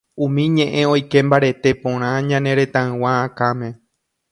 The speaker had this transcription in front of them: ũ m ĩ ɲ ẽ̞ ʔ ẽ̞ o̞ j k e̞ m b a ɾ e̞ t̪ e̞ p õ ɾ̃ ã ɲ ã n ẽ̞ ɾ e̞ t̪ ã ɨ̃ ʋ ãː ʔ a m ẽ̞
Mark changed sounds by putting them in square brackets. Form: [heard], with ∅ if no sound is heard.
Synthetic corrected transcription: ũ m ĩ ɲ ẽ̞ ʔ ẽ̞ o̞ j k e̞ m b a ɾ e̞ t̪ e̞ p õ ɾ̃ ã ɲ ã n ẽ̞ ɾ e̞ t̪ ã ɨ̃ [w] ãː [k] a m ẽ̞

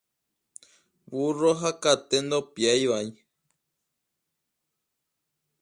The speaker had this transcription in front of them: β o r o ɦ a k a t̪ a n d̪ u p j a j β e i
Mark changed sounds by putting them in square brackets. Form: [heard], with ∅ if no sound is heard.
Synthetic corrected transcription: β [u] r o ɦ a k a t̪ [e] n d̪ [o] p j a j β [a] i

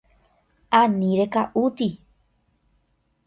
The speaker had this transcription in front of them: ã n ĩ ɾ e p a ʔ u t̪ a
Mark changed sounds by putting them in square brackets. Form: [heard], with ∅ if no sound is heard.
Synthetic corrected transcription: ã n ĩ ɾ e [k] a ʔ u t̪ [i]

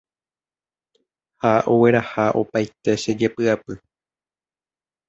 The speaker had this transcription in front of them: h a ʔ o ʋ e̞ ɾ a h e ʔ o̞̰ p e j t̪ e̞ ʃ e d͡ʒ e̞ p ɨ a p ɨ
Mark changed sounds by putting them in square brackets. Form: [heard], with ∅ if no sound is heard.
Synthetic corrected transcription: h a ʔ o [w] e̞ ɾ a h [a] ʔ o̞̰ p [a] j t̪ e̞ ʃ e d͡ʒ e̞ p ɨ a p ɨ

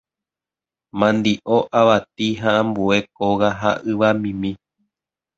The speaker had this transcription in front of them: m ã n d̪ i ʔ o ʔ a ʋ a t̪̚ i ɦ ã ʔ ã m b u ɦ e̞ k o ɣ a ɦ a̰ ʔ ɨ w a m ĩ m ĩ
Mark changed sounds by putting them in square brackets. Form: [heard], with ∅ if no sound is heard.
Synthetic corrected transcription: m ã n d̪ i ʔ o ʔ a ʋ a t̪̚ i ɦ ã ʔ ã m b u [∅] e̞ k o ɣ a ɦ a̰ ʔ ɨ [ʋ] a m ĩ m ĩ

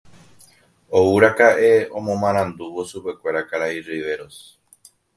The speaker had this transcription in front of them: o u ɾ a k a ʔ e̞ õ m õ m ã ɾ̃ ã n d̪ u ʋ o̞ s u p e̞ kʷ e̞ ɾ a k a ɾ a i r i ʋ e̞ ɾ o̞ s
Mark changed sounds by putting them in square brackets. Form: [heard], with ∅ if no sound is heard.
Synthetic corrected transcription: o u ɾ a k a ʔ e̞ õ m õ m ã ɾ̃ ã n d̪ u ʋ o̞ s u p e̞ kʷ e̞ ɾ a k a ɾ a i r i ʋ e̞ ɾ o̞ s

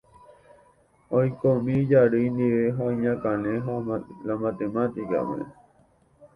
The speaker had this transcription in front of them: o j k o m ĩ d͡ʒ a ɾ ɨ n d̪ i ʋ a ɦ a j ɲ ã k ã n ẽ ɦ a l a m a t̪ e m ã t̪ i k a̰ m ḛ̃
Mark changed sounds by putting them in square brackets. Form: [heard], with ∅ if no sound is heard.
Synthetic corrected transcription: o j k o m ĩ d͡ʒ a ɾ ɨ n d̪ i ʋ [e] ɦ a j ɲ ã k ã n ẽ ɦ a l a m a t̪ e m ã t̪ i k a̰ m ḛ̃

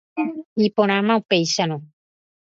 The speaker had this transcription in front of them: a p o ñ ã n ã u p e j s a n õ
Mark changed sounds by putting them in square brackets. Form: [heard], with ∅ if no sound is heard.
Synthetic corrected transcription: [i] p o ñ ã [m] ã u p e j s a n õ

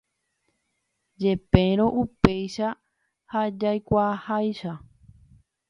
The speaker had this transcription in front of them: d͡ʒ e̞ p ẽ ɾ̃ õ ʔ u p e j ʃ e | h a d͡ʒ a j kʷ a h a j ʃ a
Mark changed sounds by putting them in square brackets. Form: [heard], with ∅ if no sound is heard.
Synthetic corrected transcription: d͡ʒ e̞ p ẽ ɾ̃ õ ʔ u p e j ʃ [a] | h a d͡ʒ a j kʷ a h a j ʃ a

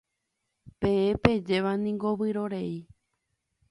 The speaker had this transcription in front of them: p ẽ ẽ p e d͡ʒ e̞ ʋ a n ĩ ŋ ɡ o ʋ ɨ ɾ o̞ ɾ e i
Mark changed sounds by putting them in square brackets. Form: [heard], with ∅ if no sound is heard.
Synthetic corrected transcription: p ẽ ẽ p e d͡ʒ e̞ ʋ a n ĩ ŋ ɡ o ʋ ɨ ɾ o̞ ɾ e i

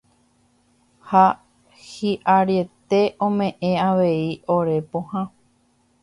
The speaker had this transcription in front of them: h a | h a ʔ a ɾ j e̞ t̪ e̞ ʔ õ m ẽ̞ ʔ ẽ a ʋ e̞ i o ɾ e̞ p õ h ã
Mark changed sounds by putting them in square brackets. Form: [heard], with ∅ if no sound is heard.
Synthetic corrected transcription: h a | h [i] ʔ a ɾ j e̞ t̪ e̞ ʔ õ m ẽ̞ ʔ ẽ a ʋ e̞ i o ɾ e̞ p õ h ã

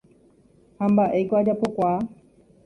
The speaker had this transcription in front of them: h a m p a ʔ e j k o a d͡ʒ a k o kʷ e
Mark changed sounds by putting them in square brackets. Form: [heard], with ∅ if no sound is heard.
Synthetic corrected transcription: h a m [b] a ʔ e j k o a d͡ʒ a [p] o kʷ [a]

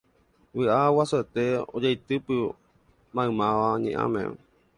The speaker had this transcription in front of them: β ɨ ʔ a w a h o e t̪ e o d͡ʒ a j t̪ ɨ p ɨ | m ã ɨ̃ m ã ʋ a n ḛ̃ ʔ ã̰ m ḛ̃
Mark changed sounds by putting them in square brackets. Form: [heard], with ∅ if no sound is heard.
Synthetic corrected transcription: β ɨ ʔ a w a [s] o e t̪ e o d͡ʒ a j t̪ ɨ p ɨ | m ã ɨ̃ m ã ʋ a [ɲ] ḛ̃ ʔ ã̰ m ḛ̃

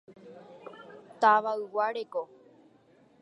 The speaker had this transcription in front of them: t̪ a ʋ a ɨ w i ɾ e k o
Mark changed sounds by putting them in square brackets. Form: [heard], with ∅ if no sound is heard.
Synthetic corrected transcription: t̪ a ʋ a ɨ w [a] ɾ e k o

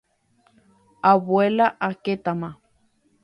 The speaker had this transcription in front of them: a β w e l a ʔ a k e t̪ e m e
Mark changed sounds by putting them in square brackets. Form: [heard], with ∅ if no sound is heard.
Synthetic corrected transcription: a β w e l a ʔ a k e t̪ [a] m [a]

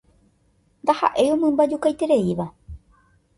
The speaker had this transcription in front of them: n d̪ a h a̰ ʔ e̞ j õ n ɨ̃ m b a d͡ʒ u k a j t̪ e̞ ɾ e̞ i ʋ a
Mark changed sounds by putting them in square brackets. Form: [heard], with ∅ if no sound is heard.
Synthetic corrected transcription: n d̪ a h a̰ ʔ e̞ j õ [m] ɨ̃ m b a d͡ʒ u k a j t̪ e̞ ɾ e̞ i ʋ a

